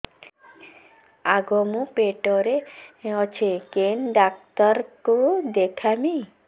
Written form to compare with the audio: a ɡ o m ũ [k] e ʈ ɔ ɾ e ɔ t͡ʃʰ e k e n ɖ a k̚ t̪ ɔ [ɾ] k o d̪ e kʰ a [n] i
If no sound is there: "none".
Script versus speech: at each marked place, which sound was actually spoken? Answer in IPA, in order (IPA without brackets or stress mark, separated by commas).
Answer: p, ɾ, m